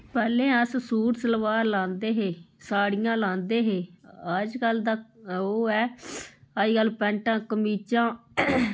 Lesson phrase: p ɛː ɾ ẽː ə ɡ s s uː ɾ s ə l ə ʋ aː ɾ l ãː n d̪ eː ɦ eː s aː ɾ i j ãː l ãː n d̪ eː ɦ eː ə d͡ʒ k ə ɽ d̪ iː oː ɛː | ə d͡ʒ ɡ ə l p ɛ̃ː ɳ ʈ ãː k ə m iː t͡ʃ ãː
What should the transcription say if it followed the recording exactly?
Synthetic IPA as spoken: p ɛː l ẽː ə s s uː ɾ s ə l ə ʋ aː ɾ l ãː n d̪ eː ɦ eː s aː ɽ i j ãː l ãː n d̪ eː ɦ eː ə d͡ʒ k ə l d̪ aː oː ɛː | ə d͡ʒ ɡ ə l p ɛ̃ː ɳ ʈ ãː k ə m iː t͡ʃ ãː